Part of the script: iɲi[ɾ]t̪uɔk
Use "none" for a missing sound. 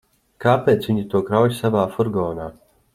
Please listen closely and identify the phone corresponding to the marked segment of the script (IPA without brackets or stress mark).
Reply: none